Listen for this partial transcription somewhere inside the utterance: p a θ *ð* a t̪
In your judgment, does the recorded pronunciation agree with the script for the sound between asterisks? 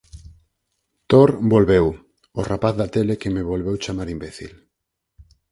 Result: yes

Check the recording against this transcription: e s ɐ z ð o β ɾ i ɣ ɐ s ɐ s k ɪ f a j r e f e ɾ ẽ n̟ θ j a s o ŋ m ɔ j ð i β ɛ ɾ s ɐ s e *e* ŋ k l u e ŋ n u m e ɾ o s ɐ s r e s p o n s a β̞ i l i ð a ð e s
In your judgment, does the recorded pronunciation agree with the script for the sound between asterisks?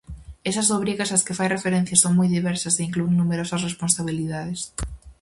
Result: no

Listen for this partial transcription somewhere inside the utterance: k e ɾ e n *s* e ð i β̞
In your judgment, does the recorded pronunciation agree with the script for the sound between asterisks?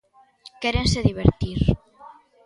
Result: yes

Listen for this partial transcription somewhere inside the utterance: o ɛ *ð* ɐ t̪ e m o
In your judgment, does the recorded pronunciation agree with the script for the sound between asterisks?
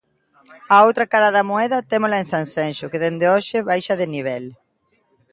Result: yes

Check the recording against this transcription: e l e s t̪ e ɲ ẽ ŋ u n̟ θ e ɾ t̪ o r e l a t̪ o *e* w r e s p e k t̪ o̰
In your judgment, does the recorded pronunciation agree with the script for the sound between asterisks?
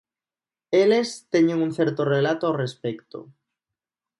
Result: no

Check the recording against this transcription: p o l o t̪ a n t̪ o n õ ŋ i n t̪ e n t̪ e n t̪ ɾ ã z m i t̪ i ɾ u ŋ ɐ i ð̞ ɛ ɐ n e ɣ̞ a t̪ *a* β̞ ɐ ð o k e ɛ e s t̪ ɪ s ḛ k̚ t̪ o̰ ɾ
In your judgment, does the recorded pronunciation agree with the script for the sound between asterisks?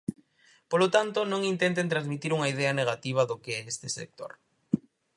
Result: no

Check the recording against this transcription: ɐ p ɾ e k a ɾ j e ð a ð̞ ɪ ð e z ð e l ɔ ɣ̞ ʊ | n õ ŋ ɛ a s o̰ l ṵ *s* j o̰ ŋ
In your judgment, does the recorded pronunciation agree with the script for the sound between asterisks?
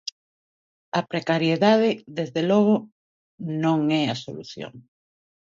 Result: no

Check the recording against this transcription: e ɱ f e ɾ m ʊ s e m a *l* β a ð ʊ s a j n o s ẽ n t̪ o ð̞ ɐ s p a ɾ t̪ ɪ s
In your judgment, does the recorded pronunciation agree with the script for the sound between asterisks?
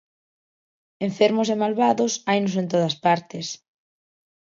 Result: yes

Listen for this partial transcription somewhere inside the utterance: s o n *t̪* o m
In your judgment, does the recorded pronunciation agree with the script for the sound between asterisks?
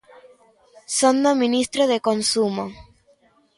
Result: no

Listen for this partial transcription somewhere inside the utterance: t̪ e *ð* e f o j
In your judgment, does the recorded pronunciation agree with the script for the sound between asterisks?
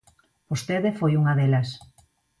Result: yes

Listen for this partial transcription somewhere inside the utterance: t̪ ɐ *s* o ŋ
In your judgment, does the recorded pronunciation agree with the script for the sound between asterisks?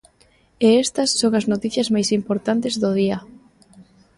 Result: no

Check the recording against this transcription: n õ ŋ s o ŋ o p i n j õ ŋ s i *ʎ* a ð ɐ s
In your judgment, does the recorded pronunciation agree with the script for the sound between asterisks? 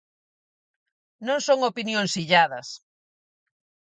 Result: yes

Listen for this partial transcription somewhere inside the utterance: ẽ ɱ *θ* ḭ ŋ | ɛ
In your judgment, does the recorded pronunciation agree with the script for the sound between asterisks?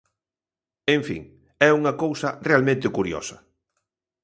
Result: no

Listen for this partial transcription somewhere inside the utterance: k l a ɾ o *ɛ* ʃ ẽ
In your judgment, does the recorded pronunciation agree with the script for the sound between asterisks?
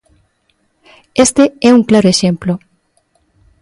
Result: no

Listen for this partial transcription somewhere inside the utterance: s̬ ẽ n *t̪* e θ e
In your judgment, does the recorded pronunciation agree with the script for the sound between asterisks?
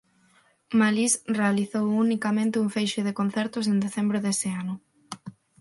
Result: no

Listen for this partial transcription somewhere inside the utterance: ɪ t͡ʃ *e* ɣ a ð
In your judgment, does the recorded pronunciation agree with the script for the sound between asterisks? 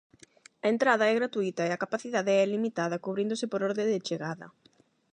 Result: yes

